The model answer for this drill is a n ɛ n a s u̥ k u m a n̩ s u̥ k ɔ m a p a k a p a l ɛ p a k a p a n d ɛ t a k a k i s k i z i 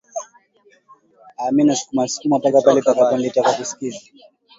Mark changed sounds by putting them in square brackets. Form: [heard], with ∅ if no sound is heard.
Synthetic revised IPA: a [m] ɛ n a s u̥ k u m a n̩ s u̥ k [u] m a p a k a p a l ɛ p a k a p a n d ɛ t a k a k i s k i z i